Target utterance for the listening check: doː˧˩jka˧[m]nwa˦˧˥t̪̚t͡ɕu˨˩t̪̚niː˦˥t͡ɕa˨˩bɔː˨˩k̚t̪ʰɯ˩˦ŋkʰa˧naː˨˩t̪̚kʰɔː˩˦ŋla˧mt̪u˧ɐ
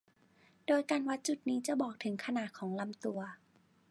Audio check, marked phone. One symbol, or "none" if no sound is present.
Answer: none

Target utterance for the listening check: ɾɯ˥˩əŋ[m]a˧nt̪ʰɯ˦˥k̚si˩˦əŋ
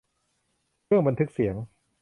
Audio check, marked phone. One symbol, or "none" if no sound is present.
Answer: b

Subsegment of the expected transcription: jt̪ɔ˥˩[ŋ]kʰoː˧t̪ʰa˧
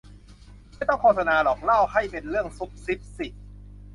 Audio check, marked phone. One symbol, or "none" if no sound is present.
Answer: ŋ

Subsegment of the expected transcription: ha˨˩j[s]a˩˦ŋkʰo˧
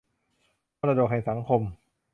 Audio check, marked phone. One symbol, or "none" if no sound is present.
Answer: s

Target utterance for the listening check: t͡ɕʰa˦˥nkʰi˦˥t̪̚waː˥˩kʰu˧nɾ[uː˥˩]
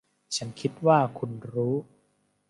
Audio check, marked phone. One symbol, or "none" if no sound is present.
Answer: uː˦˥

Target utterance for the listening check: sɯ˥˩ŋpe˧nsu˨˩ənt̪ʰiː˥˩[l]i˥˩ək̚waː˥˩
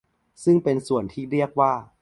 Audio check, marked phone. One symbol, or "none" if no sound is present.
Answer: ɾ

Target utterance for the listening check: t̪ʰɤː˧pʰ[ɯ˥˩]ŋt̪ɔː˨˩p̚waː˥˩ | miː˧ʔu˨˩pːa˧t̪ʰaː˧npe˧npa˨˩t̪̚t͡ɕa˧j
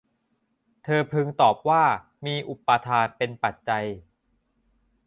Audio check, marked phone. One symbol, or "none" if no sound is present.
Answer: ɯ˧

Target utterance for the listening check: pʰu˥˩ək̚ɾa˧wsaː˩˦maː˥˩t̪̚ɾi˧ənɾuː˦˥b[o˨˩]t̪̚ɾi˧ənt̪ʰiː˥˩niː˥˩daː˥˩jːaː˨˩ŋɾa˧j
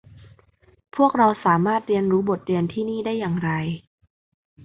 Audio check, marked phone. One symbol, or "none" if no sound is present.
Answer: o˨˩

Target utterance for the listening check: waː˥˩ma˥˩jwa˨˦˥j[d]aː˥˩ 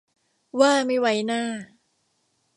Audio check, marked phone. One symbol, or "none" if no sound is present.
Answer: n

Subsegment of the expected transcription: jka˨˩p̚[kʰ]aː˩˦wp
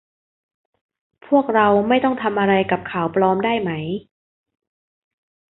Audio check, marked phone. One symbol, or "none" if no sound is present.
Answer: kʰ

